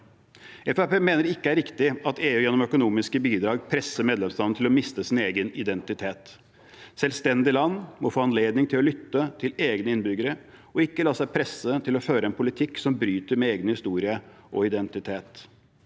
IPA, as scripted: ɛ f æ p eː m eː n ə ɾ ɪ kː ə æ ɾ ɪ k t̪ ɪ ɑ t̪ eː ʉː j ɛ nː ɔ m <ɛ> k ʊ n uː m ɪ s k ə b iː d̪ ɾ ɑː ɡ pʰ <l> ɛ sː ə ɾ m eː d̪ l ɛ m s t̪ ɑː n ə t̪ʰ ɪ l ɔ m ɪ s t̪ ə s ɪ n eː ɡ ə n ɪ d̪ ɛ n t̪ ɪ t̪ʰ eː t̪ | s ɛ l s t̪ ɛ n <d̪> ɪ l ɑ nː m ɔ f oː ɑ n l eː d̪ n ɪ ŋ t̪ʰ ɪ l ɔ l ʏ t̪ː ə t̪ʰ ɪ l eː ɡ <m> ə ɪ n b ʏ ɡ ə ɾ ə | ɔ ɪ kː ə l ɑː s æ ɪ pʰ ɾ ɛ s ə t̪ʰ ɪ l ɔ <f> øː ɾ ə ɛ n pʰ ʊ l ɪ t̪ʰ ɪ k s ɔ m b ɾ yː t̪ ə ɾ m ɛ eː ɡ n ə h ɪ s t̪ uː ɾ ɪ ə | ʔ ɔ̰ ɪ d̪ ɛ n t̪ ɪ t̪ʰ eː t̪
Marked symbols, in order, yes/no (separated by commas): no, no, yes, no, yes